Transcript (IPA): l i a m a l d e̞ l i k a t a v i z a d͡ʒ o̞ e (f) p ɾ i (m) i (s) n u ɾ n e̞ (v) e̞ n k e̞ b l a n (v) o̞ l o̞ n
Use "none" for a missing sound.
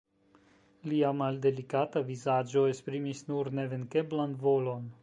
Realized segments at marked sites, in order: s, m, s, v, v

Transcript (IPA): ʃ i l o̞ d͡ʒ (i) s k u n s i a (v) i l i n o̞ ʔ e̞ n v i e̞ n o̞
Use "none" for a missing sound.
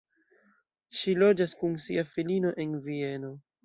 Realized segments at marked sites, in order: a, f

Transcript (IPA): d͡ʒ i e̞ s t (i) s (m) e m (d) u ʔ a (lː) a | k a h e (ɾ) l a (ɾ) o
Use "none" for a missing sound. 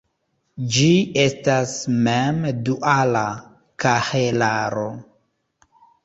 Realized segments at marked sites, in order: a, m, d, l, none, ɾ

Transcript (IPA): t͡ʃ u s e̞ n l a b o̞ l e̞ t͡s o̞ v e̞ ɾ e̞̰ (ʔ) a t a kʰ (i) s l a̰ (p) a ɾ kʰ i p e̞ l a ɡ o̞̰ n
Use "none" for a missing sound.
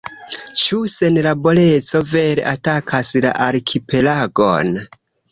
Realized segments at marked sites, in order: ʔ, a, ʔ

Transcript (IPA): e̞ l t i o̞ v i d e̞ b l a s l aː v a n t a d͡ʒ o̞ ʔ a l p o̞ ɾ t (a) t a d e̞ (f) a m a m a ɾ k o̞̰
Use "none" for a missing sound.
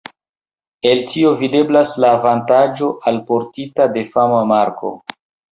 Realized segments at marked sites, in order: i, f

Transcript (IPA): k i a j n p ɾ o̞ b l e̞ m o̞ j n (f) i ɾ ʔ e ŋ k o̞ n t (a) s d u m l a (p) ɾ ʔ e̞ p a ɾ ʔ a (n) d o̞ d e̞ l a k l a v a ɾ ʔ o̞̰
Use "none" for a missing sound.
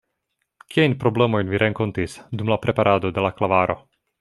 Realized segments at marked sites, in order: v, i, p, none

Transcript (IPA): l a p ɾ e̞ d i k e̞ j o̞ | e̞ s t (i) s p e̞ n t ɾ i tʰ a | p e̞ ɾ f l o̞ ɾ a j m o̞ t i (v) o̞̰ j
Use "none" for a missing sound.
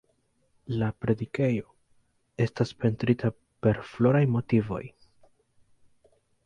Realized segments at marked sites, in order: a, v

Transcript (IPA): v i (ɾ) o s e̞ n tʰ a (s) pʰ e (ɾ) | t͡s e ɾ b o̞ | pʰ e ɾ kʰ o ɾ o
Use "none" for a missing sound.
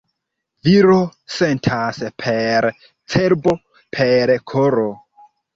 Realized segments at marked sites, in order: ɾ, s, ɾ

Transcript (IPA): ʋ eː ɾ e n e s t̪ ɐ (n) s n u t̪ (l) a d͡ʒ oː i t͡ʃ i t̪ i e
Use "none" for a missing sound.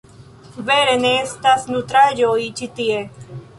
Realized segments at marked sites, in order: none, ɾ

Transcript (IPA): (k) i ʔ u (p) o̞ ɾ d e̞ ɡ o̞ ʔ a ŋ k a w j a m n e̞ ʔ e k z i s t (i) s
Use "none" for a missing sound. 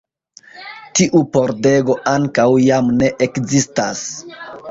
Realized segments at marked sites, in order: t, p, a

